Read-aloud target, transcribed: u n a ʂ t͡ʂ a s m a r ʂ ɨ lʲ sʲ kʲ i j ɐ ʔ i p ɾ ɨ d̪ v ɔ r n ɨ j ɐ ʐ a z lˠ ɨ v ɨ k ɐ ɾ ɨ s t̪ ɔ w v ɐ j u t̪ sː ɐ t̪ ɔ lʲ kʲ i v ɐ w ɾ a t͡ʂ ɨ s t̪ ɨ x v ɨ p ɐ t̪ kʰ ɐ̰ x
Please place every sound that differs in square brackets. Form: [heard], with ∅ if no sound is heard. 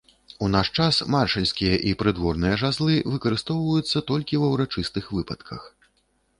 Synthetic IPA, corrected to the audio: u n a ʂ t͡ʂ a s m a r ʂ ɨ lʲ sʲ kʲ i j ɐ ʔ i p ɾ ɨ d̪ v ɔ r n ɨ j ɐ ʐ a z lˠ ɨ v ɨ k ɐ ɾ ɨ s t̪ ɔ w v ɐ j u t̪ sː ɐ t̪ ɔ lʲ kʲ i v ɐ w ɾ a t͡ʂ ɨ s t̪ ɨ x v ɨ p ɐ t̪ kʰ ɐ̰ x